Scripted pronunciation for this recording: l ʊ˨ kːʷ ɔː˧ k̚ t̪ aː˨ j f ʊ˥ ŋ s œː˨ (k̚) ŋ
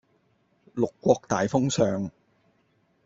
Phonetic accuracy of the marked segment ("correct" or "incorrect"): incorrect